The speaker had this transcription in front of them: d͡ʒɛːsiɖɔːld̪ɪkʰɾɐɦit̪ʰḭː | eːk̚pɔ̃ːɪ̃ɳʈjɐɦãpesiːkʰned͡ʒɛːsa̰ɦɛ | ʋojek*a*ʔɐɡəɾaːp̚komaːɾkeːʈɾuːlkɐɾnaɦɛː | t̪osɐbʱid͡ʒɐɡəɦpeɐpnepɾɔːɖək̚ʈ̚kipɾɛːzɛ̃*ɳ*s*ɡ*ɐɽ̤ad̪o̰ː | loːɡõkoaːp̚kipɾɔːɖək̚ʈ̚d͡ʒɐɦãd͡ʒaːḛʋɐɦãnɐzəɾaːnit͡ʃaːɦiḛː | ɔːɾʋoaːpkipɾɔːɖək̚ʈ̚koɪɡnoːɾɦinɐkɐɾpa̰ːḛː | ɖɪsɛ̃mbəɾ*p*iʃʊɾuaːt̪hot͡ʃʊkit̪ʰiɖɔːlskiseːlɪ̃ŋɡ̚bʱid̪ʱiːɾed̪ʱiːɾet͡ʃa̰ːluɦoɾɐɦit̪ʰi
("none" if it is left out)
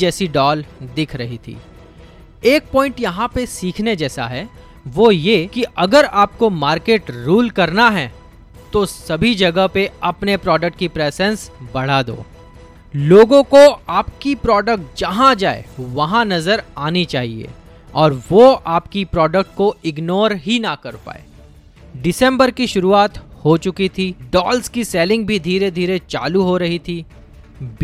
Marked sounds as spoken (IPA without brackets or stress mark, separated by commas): i, n, b, k